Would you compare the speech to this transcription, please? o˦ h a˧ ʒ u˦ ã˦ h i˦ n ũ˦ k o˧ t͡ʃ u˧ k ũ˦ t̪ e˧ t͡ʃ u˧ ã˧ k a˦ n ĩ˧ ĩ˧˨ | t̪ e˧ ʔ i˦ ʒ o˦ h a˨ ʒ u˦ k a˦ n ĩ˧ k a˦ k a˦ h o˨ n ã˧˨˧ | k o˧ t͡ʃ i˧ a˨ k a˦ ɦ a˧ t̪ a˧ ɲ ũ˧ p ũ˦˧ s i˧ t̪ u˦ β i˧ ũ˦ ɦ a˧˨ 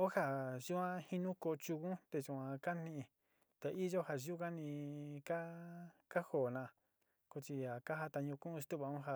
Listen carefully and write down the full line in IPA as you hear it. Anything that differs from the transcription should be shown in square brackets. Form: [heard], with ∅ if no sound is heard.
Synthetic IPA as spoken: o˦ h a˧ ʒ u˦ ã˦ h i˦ n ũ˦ k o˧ t͡ʃ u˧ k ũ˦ t̪ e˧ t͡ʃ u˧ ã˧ k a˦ n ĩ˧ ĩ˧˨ | t̪ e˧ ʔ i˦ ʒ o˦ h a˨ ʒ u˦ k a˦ n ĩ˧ k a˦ k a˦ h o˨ n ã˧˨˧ | k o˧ t͡ʃ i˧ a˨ k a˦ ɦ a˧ t̪ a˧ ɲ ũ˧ [k] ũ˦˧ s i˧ t̪ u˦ β [a˧] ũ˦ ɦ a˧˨